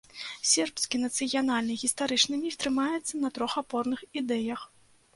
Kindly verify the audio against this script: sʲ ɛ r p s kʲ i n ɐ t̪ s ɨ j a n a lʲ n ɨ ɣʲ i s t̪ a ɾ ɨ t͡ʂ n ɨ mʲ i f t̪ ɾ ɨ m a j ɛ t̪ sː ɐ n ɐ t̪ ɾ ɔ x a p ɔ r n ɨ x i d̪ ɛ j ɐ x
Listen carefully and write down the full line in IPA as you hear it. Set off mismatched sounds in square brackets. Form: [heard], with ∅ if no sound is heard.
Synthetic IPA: sʲ ɛ r p s kʲ i n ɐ t̪ s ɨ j a n a lʲ n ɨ ɣʲ i s t̪ a ɾ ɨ t͡ʂ n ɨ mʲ i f t̪ ɾ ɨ m a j ɛ t̪ sː ɐ n ɐ t̪ ɾ ɔ x a p ɔ r n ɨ x i d̪ ɛ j ɐ x